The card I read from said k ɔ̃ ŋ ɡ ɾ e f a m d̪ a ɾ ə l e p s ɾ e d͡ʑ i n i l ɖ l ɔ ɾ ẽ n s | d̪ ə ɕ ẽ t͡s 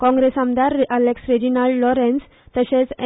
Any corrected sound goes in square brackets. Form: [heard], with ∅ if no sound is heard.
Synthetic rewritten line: k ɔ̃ ŋ ɡ ɾ e [s] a m d̪ a ɾ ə l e [k] s ɾ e d͡ʑ i n [a] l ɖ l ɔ ɾ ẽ n s | [t̪] ə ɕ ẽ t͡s

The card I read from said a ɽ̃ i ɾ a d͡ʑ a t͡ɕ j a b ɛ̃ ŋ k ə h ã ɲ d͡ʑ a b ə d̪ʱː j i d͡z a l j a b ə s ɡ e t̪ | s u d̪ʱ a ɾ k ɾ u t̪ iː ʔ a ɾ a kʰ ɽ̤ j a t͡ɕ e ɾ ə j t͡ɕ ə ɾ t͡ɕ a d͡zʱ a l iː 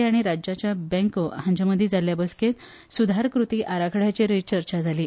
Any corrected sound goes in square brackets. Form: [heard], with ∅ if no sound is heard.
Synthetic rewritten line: a ɽ̃ i ɾ a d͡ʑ a t͡ɕ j a b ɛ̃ ŋ k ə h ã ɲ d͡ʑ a [m] ə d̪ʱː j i d͡z a l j a b ə s [k] e t̪ | s u d̪ʱ a ɾ k ɾ u t̪ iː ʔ a ɾ a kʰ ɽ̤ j a t͡ɕ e ɾ ə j t͡ɕ ə ɾ t͡ɕ a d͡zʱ a l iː

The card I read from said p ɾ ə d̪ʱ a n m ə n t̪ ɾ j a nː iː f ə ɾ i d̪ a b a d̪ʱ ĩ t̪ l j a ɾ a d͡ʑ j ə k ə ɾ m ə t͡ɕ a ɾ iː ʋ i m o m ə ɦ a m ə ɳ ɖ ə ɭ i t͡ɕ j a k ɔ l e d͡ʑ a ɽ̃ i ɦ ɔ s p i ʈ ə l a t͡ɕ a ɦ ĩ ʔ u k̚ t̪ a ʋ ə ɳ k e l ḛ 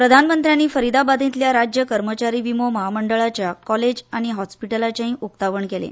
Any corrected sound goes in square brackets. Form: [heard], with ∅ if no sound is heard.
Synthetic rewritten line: p ɾ ə d̪ʱ a n m ə n t̪ ɾ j a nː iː f ə ɾ i d̪ a b a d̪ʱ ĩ t̪ l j a ɾ a d͡ʑ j ə k ə ɾ m ə t͡ɕ a ɾ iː ʋ i m o m ə ɦ a m ə ɳ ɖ ə ɭ [a] t͡ɕ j a k ɔ l e d͡ʑ a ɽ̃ i ɦ ɔ s p i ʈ ə l a t͡ɕ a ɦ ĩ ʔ u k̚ t̪ a ʋ ə ɳ k e l ḛ

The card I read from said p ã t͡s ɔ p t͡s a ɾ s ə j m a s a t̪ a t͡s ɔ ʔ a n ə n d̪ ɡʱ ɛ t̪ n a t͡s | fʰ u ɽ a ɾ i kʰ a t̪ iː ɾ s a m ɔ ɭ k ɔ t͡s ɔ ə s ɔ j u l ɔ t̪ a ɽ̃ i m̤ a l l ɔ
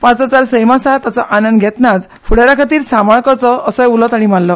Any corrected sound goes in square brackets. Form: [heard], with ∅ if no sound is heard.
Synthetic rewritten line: p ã t͡s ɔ [∅] t͡s a ɾ s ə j m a s a t̪ a t͡s ɔ ʔ a n ə n d̪ ɡʱ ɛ t̪ n a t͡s | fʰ u ɽ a ɾ [a] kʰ a t̪ iː ɾ s a m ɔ ɭ k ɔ t͡s ɔ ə s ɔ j u l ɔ t̪ a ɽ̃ i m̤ a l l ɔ

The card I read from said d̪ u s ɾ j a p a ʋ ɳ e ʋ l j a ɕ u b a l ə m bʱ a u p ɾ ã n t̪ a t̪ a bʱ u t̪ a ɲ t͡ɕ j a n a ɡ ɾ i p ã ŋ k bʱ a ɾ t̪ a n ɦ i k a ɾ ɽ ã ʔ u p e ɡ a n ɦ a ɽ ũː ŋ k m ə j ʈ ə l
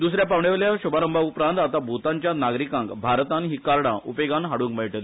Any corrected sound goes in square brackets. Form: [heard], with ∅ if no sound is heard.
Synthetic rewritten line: d̪ u s ɾ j a p a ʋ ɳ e ʋ l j a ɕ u b a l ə m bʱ a u p ɾ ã n t̪ a t̪ a bʱ u t̪ a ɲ t͡ɕ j a n a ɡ ɾ i [k] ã ŋ k bʱ a ɾ t̪ a n ɦ i k a ɾ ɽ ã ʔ u p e ɡ a n ɦ a ɽ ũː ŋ k m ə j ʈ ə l

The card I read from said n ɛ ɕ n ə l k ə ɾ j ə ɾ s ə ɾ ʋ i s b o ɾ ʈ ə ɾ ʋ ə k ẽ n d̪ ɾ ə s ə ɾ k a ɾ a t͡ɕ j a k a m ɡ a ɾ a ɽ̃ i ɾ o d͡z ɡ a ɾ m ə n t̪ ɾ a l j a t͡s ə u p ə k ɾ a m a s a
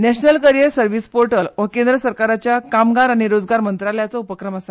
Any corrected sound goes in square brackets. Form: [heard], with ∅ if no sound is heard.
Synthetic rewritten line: n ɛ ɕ n ə l k ə ɾ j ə ɾ s ə ɾ ʋ i s [p] o ɾ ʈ ə [l] ʋ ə k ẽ n d̪ ɾ ə s ə ɾ k a ɾ a t͡ɕ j a k a m ɡ a ɾ a ɽ̃ i ɾ o d͡z ɡ a ɾ m ə n t̪ ɾ a l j a t͡s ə u p ə k ɾ [ə] m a s a

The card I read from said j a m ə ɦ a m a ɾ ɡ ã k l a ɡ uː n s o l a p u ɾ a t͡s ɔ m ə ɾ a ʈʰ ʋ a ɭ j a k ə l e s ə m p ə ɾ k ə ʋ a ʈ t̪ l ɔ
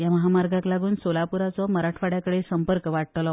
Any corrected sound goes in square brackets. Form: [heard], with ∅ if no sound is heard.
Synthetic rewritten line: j a m ə ɦ a m a ɾ ɡ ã k l a ɡ uː n s o l a p u ɾ a t͡s ɔ m ə ɾ a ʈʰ ʋ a [ɽ] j a k ə [ɽ] e s ə m p ə ɾ k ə ʋ a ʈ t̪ l ɔ

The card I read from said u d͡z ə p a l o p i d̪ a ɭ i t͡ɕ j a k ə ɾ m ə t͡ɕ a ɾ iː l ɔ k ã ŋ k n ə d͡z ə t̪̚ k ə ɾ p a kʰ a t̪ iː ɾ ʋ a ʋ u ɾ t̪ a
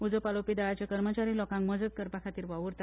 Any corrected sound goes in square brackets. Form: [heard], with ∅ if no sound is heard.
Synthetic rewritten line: u d͡z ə p a l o p i d̪ a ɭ [a] t͡ɕ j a k ə ɾ m ə t͡ɕ a ɾ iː l ɔ k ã ŋ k [m] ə d͡z ə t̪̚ k ə ɾ p a kʰ a t̪ iː ɾ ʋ a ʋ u ɾ t̪ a

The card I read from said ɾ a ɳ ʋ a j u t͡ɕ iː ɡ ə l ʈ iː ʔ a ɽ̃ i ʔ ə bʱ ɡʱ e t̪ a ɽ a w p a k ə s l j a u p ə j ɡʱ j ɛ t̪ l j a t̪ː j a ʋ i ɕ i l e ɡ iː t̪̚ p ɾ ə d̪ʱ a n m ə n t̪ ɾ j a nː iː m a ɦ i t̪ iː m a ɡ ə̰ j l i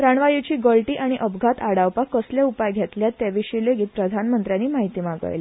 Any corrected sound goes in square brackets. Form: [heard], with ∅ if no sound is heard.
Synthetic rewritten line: ɾ a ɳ ʋ a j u t͡ɕ iː ɡ ə l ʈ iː ʔ a ɽ̃ i ʔ ə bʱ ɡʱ [a] t̪ a ɽ a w p a k ə s l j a u p [a] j ɡʱ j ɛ t̪ l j a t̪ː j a ʋ i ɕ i l e ɡ iː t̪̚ p ɾ ə d̪ʱ a n m ə n t̪ ɾ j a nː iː m a ɦ i t̪ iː m a ɡ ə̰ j l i

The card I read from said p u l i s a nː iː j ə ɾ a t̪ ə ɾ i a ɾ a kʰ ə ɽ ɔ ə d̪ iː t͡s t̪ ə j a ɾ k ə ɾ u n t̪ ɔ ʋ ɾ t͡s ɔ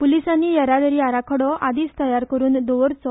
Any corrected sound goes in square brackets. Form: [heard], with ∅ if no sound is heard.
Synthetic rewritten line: p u l i s a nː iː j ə ɾ a [d̪] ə ɾ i a ɾ a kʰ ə ɽ ɔ [a] d̪ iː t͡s t̪ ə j a ɾ k ə ɾ [uː] n [d̪] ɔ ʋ ɾ t͡s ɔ

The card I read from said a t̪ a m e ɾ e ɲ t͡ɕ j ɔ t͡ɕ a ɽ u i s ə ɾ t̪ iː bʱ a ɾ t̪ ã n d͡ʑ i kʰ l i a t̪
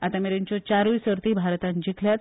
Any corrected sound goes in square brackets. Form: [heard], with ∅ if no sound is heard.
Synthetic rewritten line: a t̪ a m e ɾ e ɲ t͡ɕ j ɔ t͡ɕ a [ɾ] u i s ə ɾ t̪ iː bʱ a ɾ t̪ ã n d͡ʑ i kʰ l [j] a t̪

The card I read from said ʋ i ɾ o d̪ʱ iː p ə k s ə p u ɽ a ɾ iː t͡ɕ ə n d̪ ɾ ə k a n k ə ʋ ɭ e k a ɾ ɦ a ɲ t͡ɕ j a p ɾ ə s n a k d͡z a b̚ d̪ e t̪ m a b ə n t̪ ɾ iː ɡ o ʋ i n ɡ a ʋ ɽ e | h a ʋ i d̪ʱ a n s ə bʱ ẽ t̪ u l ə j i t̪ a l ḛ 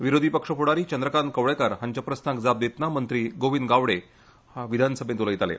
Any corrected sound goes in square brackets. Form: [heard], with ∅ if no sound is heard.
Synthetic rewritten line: ʋ i ɾ o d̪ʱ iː p ə k [ʂ] ə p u ɽ a ɾ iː t͡ɕ ə n d̪ ɾ ə k a n k ə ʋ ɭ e k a ɾ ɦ a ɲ t͡ɕ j a p ɾ ə s n a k d͡z a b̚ d̪ e t̪ [n] a [m] ə n t̪ ɾ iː ɡ o ʋ i n ɡ a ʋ ɽ e | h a ʋ i d̪ʱ a n s ə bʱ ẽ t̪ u l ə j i t̪ a l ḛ

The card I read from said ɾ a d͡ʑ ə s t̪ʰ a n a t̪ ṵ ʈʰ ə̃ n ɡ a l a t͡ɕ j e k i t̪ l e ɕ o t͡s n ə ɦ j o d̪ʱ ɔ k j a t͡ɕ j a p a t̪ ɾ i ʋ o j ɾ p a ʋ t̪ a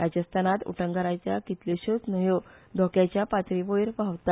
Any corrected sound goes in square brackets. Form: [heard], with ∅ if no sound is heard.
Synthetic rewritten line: ɾ a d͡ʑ ə s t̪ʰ a n a t̪ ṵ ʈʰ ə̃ [ŋ] ɡ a [ɾ] a t͡ɕ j [a] k i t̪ l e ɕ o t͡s n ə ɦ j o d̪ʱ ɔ k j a t͡ɕ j a p a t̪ ɾ i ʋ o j ɾ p a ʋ t̪ a

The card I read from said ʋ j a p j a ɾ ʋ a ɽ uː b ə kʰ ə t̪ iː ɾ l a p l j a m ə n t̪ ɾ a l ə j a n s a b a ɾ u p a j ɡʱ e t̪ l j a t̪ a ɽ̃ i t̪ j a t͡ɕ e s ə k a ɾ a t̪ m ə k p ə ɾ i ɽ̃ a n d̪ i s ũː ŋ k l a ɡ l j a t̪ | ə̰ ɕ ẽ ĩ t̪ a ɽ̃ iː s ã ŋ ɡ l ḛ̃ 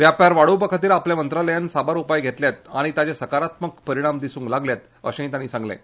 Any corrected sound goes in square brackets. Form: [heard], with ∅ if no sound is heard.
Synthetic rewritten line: ʋ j a p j a ɾ ʋ a ɽ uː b ə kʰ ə t̪ iː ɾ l a p l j a m ə n t̪ ɾ a l ə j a n s a b a ɾ u p a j ɡʱ e t̪ l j a t̪ a ɽ̃ i t̪ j a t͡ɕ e s ə k a ɾ a t̪ m ə k p ə ɾ i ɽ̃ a [m] d̪ i s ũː ŋ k l a ɡ l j a t̪ | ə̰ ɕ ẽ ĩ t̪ a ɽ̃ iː s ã ŋ ɡ l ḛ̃

